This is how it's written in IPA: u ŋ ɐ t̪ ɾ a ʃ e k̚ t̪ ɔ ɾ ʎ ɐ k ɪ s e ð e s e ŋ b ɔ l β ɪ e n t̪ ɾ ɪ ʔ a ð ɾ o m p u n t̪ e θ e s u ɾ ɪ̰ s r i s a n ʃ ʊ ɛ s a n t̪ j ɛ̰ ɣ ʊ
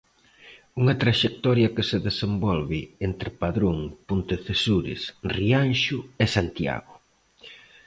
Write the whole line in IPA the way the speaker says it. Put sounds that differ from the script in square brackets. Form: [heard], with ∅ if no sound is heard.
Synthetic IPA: u ŋ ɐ t̪ ɾ a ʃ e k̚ t̪ ɔ ɾ [j] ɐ k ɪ s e ð e s e [m] b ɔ l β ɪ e n t̪ ɾ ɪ [p] a ð ɾ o [ŋ] p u n t̪ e θ e s u ɾ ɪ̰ s r i [∅] a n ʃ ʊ ɛ s a n t̪ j [a̰] ɣ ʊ